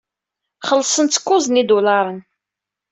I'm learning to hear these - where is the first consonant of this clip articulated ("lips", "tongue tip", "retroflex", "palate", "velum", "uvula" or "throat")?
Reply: uvula